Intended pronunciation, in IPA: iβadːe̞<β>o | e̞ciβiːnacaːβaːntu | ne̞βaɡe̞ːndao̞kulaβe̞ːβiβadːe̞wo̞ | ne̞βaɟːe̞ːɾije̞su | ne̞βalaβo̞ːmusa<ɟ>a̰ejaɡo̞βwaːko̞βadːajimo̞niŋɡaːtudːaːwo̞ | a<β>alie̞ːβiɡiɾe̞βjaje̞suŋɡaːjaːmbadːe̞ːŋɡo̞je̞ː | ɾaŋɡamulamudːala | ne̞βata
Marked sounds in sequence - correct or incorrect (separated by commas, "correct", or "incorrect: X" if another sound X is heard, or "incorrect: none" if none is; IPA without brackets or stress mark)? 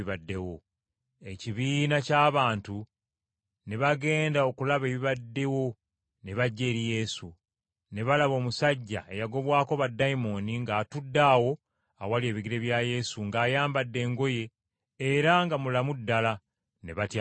incorrect: w, incorrect: ɟː, incorrect: w